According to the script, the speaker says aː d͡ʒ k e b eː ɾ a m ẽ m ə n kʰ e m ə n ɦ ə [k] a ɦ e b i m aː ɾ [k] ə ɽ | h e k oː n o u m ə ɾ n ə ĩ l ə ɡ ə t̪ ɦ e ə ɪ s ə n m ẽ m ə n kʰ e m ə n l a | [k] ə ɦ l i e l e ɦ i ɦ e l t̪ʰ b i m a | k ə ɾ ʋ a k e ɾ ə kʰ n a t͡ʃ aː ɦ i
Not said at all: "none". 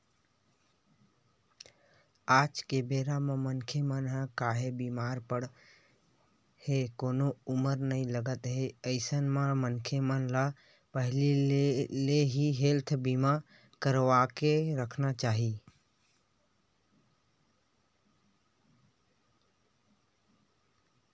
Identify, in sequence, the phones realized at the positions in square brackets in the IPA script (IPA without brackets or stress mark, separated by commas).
k, p, p